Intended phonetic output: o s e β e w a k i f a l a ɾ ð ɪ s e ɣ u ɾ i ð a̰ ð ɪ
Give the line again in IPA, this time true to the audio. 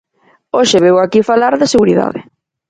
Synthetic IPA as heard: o ʃ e β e w a k i f a l a ɾ ð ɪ s e ɣ u ɾ i ð a̰ ð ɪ